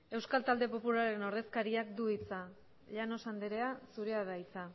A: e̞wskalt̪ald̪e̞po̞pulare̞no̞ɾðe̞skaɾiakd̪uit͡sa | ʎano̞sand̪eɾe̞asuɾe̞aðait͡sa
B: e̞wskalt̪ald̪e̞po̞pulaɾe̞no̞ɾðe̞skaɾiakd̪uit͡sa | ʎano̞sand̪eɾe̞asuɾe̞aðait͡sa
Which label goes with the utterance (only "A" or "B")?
B